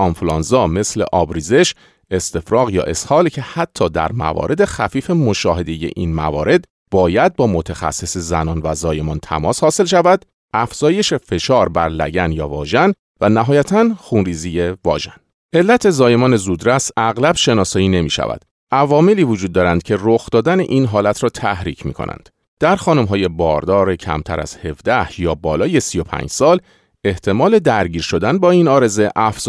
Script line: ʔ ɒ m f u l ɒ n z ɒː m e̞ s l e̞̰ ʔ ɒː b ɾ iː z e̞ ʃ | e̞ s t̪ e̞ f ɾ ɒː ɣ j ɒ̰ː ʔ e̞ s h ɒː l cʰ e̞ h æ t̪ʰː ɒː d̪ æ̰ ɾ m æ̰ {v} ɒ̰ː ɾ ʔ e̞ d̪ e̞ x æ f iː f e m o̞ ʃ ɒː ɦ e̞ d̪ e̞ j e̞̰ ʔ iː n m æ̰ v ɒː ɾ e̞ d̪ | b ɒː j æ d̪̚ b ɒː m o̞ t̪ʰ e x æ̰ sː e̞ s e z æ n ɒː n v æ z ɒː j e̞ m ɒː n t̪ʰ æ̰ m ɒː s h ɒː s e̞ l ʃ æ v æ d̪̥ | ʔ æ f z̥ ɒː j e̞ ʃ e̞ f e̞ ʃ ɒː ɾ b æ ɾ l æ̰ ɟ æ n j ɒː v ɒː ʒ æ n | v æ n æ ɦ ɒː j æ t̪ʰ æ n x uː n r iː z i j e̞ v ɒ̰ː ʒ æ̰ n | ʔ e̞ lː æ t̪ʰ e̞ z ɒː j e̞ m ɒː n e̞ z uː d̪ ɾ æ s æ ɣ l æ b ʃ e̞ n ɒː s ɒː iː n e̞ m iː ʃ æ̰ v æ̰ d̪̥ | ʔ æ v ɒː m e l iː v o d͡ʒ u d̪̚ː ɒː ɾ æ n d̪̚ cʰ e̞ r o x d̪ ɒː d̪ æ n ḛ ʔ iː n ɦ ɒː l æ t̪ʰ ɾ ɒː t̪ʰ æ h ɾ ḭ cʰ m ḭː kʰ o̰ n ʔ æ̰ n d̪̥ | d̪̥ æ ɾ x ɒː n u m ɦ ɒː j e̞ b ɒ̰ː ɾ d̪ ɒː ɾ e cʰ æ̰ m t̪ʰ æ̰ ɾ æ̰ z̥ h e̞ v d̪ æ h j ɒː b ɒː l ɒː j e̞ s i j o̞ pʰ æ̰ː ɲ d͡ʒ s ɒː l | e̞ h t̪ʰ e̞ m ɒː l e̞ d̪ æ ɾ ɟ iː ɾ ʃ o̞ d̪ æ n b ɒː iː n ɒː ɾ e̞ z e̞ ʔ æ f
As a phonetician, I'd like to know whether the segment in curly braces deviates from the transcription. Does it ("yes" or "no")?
no